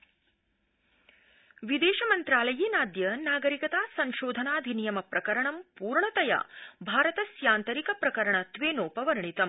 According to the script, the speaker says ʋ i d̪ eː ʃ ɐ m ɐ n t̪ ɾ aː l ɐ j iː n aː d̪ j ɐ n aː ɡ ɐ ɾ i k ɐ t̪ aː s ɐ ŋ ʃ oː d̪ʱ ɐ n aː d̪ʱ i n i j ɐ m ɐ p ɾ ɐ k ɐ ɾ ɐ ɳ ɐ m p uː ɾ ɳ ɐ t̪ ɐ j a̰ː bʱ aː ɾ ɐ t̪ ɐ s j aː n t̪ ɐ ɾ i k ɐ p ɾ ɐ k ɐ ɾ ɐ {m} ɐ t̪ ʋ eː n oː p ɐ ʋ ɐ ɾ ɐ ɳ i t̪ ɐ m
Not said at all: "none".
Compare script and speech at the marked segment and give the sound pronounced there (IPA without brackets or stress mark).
ɳ